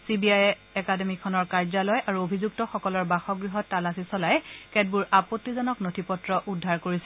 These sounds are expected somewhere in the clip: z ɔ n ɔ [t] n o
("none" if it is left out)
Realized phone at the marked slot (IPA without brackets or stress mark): k